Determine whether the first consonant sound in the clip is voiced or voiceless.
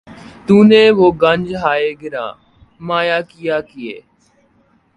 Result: voiceless